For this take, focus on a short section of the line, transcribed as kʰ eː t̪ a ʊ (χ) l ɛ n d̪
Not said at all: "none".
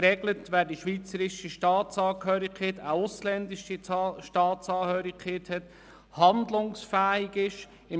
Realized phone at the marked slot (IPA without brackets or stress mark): s